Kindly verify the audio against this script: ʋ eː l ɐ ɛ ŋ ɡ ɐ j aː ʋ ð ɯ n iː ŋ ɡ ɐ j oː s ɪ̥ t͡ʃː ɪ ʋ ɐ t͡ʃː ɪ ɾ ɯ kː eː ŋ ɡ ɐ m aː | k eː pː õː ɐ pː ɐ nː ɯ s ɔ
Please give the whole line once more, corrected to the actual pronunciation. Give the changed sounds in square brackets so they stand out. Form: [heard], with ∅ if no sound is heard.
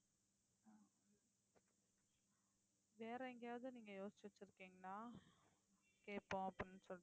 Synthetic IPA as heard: ʋ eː [ɾ] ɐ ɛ ŋ ɡ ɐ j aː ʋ ð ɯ n iː ŋ ɡ ɐ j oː s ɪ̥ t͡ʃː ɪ ʋ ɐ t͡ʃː ɪ ɾ ɯ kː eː ŋ ɡ ɐ [n] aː | k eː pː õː ɐ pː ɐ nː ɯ s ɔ